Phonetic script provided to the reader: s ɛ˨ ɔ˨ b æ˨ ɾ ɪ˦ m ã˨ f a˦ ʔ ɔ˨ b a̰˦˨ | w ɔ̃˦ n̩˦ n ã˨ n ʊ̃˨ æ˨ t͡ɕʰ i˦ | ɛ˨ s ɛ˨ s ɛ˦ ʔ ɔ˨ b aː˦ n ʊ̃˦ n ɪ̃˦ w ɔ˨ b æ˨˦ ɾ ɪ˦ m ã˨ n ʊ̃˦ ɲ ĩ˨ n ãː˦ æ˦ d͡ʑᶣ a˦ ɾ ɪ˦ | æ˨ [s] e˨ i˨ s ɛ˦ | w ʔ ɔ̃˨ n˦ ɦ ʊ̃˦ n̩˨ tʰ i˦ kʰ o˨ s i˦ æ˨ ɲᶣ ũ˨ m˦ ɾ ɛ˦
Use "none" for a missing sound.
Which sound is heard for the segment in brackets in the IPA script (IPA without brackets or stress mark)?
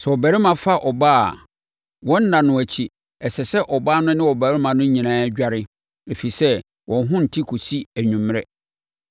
f